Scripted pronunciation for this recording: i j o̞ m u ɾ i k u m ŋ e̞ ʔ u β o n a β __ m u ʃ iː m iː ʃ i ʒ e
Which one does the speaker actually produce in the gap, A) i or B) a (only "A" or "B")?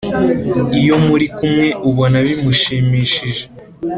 A